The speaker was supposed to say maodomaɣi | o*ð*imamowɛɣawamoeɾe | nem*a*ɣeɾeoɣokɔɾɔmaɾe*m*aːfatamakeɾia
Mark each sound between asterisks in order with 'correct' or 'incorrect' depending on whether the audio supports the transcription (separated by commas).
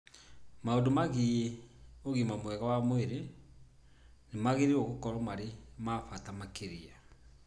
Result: incorrect, correct, correct